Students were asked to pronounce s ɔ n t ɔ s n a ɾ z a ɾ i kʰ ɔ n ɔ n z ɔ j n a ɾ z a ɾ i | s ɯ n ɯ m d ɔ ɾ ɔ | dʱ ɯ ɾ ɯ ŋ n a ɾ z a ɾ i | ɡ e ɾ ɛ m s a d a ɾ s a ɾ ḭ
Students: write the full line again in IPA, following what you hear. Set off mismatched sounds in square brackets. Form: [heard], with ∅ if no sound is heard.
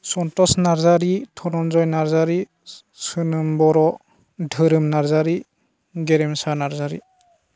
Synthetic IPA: s ɔ n t ɔ s n a ɾ z a ɾ i [tʰ] ɔ n ɔ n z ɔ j n a ɾ z a ɾ i | s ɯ n ɯ m [b] ɔ ɾ ɔ | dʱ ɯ ɾ ɯ [m] n a ɾ z a ɾ i | ɡ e ɾ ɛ m s a [n] a ɾ [z] a ɾ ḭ